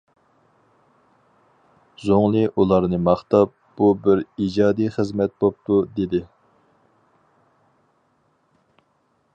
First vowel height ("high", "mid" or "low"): mid